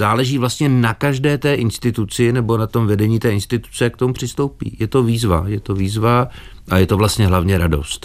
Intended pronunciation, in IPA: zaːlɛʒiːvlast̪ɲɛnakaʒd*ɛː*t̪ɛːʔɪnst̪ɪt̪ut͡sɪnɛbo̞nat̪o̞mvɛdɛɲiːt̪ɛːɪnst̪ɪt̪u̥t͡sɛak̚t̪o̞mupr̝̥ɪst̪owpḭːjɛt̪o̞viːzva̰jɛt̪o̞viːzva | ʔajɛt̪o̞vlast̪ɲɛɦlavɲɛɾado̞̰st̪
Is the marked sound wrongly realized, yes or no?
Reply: no